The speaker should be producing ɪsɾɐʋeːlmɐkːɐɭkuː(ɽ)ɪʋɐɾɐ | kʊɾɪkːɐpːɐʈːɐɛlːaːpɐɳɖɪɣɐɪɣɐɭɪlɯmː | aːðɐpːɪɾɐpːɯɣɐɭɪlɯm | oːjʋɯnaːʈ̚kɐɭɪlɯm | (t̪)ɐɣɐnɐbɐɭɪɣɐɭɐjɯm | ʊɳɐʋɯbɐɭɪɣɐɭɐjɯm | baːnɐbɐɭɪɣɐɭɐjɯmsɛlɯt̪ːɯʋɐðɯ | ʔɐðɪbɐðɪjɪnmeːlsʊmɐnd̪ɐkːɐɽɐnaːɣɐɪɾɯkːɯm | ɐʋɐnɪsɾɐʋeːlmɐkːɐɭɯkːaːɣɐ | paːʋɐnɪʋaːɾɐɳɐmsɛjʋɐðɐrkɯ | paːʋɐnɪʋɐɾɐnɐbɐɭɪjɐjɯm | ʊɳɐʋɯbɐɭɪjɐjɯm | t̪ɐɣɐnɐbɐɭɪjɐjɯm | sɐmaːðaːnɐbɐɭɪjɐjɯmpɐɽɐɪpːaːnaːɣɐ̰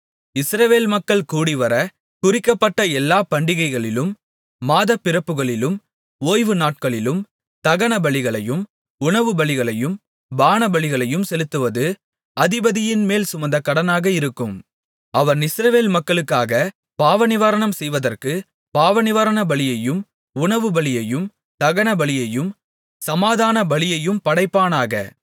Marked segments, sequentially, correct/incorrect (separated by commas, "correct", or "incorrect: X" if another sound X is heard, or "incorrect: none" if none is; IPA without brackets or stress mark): correct, correct